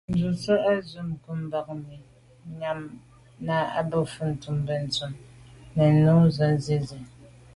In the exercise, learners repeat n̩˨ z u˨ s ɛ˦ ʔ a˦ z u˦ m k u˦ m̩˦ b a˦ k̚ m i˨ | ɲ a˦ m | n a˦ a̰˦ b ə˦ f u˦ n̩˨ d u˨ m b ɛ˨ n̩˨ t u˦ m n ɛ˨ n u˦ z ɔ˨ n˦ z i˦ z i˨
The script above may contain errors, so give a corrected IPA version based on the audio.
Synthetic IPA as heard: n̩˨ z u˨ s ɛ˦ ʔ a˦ z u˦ m k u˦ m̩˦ b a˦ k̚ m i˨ | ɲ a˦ m | n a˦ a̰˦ b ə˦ f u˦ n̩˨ t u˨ m b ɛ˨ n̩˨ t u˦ m n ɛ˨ n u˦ z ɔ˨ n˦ z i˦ z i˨